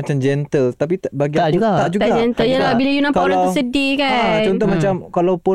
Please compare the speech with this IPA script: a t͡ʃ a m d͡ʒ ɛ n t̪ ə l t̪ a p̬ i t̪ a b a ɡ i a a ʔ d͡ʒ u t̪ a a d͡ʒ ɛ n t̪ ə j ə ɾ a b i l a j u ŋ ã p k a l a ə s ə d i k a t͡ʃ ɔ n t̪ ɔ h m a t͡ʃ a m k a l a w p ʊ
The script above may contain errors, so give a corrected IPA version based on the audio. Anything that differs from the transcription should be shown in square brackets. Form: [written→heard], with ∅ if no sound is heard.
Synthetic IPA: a t͡ʃ a m d͡ʒ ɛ n t̪ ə l t̪ a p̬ i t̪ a b a ɡ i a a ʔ d͡ʒ u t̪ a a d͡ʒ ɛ n t̪ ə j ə [ɾ→l] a b i l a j u [ŋ→n] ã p k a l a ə s ə d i k a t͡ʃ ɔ n t̪ ɔ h m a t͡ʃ a m k a l a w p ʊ